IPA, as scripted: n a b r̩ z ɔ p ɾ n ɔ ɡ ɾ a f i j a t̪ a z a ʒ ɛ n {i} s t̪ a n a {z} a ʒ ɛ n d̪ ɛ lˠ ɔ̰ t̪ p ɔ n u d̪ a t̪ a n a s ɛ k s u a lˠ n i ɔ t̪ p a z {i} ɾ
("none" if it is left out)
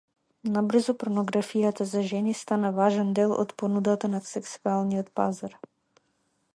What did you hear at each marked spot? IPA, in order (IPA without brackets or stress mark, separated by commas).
i, v, a